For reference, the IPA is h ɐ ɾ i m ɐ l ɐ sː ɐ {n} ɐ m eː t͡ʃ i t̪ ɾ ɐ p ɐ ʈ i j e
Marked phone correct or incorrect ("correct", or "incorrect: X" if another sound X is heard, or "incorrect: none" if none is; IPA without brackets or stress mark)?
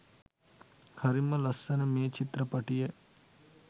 correct